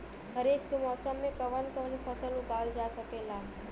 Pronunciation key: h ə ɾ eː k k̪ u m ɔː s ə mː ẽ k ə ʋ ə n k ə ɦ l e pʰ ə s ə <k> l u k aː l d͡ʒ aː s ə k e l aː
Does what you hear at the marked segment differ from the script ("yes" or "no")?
yes